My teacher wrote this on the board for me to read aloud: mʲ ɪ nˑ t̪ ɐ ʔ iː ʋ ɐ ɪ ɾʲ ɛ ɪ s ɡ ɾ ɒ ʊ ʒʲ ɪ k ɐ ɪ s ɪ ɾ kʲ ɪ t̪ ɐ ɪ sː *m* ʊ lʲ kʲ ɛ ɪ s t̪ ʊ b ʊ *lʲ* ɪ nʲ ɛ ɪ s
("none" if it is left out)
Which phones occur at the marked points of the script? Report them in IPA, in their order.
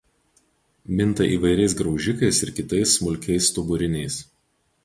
m, ɾʲ

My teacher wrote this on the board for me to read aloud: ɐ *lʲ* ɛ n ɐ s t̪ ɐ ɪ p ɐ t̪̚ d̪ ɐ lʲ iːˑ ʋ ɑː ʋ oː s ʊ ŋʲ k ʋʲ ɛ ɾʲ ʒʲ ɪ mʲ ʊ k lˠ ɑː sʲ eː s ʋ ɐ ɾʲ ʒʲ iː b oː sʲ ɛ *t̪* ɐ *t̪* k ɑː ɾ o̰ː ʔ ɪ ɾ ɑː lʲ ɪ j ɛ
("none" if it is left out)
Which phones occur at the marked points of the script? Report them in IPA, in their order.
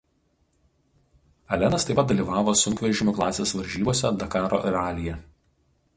lʲ, d̪, none

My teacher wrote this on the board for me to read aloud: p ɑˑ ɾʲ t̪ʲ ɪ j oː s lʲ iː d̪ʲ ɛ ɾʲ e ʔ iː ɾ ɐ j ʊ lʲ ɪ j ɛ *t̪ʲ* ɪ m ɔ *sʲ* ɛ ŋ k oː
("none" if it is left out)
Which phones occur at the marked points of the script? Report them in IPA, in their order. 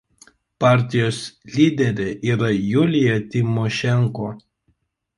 t̪ʲ, ʃʲ

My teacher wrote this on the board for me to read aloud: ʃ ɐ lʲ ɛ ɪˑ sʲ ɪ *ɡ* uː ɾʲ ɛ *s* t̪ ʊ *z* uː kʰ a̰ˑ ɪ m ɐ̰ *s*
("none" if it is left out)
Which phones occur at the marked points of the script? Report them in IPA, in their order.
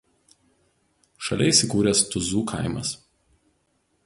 k, s, z, s

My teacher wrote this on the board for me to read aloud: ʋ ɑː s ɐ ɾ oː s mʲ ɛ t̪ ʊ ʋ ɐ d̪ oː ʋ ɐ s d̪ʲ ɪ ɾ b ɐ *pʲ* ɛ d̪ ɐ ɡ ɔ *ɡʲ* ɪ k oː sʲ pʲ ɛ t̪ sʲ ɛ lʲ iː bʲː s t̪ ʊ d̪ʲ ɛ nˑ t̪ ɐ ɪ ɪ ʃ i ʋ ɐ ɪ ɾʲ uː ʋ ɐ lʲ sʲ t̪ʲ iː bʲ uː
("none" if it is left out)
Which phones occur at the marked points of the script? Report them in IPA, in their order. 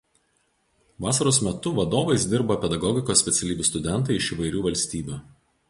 pʲ, ɡʲ

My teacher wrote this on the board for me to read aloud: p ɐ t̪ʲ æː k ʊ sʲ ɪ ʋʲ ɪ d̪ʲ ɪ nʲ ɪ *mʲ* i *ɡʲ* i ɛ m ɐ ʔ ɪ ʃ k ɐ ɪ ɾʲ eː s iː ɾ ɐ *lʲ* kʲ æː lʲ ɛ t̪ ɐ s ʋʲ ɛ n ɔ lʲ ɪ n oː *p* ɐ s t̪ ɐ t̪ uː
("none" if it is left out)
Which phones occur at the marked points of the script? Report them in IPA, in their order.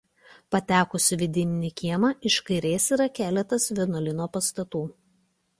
nʲ, kʲ, none, p

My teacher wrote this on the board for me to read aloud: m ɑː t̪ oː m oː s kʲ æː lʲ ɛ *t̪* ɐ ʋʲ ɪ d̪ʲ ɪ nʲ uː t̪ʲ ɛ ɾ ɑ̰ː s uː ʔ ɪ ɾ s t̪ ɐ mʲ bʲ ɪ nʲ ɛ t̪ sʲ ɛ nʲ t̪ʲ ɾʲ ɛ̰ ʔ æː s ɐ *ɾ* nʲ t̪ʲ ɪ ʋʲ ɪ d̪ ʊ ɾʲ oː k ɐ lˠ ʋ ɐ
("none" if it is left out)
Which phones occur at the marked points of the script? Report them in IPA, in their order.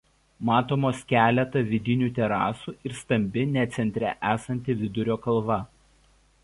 t̪, none

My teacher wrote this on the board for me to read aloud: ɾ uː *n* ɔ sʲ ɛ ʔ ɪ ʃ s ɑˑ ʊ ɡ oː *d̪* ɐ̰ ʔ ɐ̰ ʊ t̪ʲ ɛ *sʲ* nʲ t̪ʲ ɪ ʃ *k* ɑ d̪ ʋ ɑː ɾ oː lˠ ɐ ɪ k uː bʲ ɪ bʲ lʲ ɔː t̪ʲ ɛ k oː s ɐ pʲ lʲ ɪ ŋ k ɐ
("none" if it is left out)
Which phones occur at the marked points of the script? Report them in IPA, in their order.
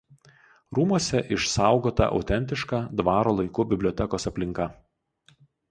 m, t̪, none, k

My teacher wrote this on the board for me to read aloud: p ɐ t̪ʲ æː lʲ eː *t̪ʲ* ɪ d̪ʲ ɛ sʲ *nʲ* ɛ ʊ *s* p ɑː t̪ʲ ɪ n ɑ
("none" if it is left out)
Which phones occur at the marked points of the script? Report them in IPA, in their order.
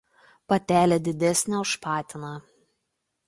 d̪ʲ, nʲ, ʃ

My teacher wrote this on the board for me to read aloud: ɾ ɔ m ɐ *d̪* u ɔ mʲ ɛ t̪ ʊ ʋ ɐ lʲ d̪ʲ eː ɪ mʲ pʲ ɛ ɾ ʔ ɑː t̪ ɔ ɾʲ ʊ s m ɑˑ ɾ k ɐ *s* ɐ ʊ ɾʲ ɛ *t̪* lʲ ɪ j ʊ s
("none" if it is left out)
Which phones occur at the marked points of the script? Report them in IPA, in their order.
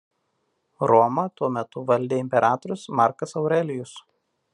t̪, s, none

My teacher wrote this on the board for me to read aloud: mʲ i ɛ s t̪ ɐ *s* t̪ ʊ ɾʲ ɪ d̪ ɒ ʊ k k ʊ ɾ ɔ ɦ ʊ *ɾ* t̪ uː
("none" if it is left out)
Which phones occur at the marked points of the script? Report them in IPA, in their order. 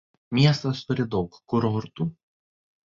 s, ɾ

